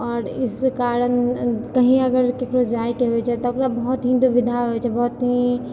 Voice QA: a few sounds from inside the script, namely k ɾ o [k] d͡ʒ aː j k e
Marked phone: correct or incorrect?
incorrect